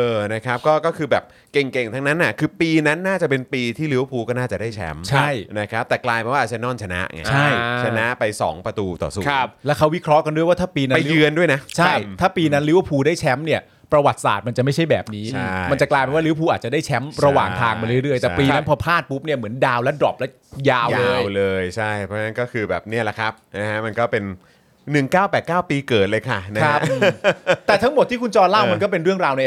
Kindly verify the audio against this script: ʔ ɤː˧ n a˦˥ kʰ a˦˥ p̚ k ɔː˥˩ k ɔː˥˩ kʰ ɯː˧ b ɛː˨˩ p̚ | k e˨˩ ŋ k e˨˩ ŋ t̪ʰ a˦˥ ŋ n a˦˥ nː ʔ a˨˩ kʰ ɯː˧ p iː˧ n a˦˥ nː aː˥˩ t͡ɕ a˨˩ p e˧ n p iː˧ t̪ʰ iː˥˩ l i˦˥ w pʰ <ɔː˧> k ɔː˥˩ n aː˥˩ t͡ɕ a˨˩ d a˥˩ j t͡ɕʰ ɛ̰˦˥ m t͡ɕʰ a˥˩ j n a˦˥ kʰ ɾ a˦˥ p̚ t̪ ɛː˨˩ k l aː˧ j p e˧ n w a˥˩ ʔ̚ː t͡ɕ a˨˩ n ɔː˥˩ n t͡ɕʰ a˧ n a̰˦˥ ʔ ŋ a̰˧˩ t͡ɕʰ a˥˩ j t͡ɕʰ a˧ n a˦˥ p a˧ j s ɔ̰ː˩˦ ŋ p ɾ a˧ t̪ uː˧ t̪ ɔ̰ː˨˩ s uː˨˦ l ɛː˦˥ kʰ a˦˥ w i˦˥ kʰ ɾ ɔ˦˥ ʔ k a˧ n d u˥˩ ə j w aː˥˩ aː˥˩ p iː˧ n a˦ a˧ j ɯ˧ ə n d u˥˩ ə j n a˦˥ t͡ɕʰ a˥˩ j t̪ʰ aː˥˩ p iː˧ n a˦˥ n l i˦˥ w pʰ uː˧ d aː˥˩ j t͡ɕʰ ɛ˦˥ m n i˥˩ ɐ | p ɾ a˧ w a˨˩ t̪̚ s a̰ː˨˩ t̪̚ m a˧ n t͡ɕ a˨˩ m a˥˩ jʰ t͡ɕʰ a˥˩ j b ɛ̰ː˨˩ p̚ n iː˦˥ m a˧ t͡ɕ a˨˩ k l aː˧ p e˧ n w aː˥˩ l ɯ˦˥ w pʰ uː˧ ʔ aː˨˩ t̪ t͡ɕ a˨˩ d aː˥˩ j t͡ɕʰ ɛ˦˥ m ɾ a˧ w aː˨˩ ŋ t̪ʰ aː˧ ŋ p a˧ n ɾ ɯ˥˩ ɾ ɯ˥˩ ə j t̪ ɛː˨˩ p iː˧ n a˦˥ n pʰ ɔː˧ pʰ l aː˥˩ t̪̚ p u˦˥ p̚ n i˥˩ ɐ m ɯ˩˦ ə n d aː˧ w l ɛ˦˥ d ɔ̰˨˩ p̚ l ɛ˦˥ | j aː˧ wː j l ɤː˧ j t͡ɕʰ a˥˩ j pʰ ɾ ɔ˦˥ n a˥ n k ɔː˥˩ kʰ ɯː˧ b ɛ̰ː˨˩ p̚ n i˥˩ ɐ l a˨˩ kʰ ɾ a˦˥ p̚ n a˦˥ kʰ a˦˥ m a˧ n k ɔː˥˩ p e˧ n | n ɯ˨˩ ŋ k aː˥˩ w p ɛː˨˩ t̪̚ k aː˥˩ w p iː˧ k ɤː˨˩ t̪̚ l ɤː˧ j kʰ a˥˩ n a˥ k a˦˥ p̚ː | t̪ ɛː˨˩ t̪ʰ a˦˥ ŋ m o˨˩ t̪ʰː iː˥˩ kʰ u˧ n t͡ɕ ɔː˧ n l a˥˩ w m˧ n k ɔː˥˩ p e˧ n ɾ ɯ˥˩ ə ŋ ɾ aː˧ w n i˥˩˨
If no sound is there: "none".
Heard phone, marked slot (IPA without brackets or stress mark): uː˧